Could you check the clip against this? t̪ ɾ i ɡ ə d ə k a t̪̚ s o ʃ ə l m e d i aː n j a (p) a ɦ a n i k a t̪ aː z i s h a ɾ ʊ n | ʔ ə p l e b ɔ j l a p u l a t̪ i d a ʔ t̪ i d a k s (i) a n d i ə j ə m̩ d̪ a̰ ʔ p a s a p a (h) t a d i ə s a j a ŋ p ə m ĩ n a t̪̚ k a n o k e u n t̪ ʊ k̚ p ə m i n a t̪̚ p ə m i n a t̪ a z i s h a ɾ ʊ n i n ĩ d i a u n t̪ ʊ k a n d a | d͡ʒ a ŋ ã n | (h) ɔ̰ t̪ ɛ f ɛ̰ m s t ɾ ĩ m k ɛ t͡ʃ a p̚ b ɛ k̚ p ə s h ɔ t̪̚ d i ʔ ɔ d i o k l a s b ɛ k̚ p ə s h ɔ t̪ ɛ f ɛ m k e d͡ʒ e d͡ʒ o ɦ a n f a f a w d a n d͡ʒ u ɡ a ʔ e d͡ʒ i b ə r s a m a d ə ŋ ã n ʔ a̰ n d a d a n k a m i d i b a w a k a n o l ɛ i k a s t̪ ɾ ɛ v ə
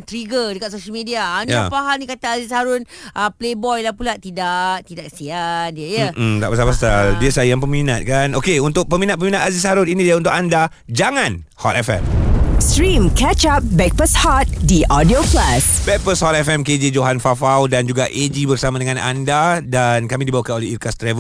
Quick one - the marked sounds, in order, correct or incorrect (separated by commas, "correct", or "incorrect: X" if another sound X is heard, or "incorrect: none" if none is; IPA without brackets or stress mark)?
correct, correct, incorrect: s, correct